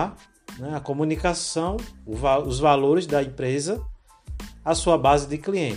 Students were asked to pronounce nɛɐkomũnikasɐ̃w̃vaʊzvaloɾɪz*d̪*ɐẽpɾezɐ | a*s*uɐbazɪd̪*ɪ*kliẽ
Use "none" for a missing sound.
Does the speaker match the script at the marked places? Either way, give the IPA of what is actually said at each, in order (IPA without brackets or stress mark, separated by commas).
d̪, s, ɪ